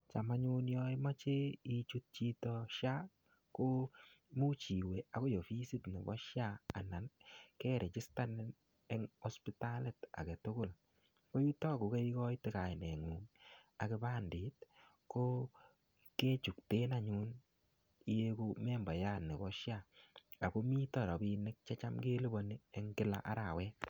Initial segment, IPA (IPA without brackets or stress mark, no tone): t͡ʃ